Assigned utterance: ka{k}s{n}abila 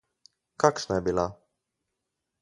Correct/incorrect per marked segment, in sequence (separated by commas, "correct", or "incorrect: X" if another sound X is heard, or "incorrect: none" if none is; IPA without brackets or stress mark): correct, correct